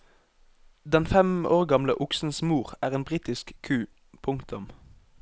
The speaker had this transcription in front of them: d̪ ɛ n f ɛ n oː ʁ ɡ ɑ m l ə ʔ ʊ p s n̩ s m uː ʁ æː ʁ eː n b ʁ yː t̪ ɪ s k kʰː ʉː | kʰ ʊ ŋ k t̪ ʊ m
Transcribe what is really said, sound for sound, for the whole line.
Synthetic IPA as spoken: d̪ ɛ n f ɛ m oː ʁ ɡ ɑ m l ə ʔ ʊ k s n̩ s m uː ʁ æː ʁ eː n b ʁ iː t̪ ɪ s k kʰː ʉː | pʰ ʊ ŋ k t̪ ʊ m